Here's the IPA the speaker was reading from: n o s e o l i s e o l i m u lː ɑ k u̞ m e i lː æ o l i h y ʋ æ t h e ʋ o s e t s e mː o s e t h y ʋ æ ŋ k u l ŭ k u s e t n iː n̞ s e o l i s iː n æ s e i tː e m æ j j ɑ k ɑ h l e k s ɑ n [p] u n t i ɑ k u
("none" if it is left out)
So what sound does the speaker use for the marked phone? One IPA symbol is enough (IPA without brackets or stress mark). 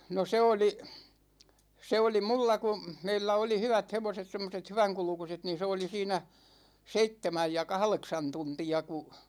t